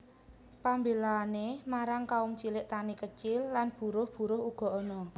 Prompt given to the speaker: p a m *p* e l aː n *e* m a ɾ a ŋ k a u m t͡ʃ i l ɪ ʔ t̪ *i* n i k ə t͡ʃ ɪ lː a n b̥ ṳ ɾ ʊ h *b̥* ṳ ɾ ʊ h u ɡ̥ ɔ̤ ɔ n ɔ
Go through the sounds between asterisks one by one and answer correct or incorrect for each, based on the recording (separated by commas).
incorrect, correct, incorrect, correct